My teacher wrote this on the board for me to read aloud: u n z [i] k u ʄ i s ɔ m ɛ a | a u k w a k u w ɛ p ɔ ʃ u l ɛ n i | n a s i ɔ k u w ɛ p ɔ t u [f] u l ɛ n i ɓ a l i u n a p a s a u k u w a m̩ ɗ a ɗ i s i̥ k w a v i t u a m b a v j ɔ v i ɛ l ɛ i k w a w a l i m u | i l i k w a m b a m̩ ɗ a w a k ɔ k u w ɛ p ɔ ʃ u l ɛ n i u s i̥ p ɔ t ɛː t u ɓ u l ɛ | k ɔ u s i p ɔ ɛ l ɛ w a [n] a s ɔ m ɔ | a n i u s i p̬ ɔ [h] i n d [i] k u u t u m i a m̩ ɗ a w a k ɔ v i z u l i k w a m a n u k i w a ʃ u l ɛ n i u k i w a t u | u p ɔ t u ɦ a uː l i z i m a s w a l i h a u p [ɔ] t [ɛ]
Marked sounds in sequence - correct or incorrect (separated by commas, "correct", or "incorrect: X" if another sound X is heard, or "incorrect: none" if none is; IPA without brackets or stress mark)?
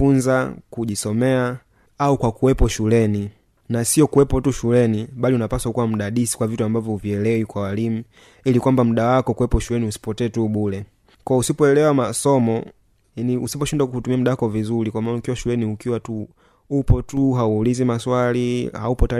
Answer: incorrect: a, incorrect: ʃ, incorrect: m, incorrect: ʃ, incorrect: a, correct, incorrect: a